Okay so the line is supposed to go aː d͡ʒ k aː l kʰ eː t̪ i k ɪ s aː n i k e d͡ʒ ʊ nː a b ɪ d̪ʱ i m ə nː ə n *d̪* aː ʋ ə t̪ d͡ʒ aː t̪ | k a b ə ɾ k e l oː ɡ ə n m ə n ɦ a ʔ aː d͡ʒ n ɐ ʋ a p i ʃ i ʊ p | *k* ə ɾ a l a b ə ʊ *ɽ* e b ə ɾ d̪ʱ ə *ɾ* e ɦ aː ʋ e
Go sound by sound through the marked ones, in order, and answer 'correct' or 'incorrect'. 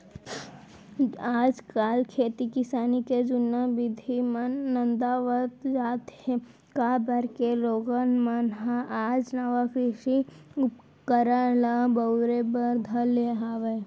correct, correct, incorrect: ɾ, incorrect: l

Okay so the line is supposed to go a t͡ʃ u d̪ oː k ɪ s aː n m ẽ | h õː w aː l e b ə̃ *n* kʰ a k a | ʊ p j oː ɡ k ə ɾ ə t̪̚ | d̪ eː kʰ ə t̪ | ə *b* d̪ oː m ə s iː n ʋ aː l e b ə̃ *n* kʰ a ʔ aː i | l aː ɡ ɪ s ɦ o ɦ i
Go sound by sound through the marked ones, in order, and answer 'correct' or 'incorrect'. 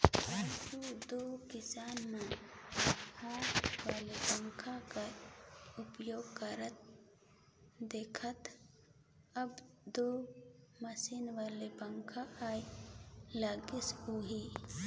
incorrect: ŋ, correct, incorrect: ŋ

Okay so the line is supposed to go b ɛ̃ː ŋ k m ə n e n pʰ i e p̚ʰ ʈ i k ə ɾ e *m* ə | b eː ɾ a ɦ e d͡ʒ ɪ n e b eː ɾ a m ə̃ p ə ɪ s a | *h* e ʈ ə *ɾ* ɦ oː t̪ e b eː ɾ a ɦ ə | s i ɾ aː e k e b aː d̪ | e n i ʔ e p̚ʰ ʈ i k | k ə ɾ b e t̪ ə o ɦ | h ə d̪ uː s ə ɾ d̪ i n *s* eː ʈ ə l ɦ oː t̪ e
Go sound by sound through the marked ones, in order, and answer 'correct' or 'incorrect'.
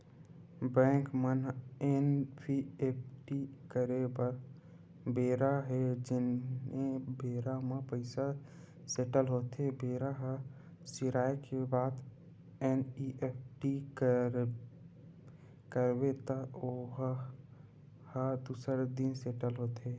incorrect: b, incorrect: s, incorrect: l, correct

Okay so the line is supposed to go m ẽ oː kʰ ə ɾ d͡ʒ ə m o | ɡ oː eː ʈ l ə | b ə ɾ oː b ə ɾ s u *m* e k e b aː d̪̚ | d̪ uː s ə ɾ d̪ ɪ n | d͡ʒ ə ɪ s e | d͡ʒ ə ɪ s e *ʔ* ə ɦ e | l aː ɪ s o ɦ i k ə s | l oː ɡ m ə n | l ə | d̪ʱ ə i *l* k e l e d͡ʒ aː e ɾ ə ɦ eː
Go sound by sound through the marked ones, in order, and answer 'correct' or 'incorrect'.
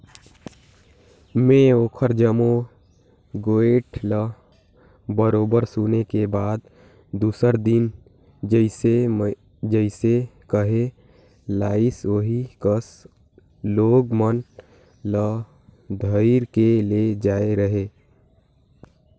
incorrect: n, incorrect: k, incorrect: ɾ

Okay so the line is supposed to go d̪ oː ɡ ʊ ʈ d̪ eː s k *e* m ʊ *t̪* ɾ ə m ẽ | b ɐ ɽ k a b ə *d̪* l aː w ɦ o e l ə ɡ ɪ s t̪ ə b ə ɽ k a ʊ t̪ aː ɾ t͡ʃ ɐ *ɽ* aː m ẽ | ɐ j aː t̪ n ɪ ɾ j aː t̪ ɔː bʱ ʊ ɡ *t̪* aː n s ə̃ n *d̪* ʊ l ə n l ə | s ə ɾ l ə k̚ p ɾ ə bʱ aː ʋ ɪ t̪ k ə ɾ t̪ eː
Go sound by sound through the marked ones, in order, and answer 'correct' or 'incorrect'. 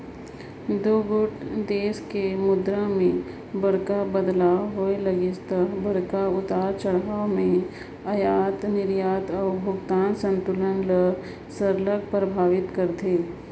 correct, incorrect: d̪, correct, correct, correct, incorrect: t̪

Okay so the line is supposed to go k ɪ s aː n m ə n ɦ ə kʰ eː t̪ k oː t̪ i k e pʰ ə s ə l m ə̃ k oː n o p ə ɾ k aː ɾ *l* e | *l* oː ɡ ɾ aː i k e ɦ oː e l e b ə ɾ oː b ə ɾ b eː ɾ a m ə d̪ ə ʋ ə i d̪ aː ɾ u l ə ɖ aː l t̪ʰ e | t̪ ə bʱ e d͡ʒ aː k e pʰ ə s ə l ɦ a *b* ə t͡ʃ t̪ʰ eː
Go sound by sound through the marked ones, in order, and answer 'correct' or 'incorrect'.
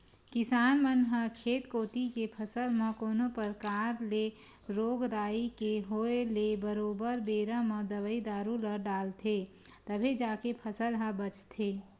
correct, incorrect: ɾ, correct

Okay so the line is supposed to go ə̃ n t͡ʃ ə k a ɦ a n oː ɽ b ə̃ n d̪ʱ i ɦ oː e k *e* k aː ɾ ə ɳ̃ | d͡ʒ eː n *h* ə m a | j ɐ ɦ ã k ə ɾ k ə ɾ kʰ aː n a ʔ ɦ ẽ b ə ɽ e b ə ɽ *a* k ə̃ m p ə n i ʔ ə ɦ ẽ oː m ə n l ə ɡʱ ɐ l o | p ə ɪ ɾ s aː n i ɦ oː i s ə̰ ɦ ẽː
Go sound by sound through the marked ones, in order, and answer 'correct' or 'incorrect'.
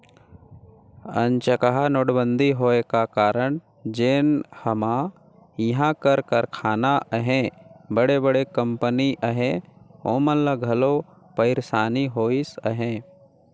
incorrect: a, correct, incorrect: e

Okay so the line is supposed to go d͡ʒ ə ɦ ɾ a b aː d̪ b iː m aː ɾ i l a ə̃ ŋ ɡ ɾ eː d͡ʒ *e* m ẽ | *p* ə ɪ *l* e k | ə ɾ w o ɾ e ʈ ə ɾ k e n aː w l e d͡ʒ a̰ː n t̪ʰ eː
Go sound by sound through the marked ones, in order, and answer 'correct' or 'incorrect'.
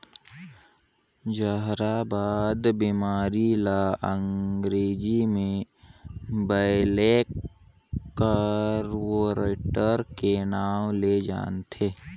incorrect: i, incorrect: b, correct

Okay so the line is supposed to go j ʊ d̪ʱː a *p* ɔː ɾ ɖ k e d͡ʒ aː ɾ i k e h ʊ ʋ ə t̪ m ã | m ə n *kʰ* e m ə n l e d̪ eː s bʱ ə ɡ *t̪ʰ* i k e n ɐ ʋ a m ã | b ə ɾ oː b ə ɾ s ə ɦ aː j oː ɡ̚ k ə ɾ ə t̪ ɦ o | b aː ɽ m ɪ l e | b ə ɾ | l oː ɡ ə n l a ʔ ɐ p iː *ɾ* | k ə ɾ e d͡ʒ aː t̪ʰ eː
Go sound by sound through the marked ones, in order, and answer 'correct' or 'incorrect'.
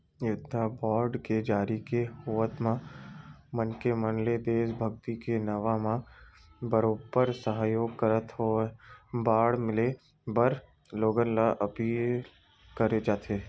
incorrect: b, incorrect: k, incorrect: t̪, incorrect: l

